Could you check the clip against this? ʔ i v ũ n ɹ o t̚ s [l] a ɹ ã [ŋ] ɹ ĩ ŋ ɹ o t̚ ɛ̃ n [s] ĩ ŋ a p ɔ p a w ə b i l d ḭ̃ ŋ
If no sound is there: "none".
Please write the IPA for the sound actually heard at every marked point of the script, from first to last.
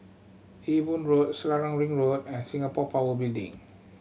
l, ŋ, s

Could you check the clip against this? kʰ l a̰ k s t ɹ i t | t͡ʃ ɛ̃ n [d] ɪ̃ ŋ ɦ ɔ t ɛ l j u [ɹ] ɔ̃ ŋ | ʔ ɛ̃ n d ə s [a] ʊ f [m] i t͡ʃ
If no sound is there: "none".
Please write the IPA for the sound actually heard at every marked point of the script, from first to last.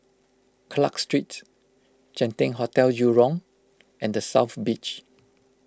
t, ɹ, a, b

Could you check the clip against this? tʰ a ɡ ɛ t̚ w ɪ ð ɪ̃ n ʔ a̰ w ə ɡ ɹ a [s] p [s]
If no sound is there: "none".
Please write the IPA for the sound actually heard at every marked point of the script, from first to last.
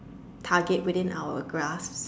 s, s

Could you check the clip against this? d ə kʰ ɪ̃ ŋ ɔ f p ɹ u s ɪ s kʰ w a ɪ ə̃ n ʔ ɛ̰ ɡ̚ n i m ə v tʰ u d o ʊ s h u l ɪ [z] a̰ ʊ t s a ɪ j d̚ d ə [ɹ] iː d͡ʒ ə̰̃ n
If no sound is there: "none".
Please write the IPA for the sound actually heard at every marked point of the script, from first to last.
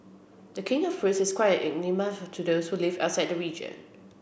v, ɹ

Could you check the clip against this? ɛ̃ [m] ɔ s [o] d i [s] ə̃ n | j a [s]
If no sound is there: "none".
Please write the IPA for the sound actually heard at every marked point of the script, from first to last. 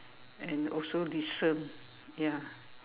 n, o, s, none

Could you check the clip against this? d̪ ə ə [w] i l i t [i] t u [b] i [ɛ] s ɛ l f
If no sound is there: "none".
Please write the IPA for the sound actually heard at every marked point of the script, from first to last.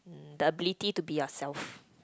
b, i, b, a

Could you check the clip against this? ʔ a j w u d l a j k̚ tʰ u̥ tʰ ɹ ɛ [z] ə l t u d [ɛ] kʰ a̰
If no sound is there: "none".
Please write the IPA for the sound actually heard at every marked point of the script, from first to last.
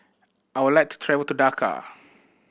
v, a

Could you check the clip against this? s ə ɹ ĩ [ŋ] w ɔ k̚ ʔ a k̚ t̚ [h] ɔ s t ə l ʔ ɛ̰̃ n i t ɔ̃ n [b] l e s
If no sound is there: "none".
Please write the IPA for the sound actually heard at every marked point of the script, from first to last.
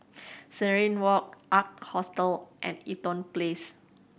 n, h, p

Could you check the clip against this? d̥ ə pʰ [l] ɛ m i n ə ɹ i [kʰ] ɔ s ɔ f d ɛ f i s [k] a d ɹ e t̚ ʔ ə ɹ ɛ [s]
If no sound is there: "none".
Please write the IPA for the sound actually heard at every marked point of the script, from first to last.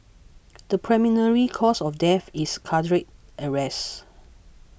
ɹ, kʰ, kʰ, s

